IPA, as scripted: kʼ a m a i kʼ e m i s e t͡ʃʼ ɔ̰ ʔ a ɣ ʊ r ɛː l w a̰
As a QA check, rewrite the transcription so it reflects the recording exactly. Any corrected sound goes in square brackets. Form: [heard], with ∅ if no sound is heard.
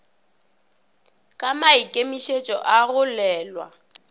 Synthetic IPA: kʼ a m a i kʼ e m i [ʃ] e t͡ʃʼ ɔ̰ ʔ a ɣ ʊ [l] ɛː l w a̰